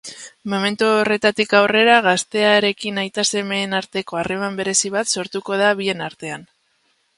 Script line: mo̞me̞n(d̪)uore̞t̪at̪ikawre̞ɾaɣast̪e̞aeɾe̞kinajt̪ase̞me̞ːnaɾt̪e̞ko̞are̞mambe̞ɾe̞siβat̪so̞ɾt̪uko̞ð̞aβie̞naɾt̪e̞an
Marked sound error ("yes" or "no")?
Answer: yes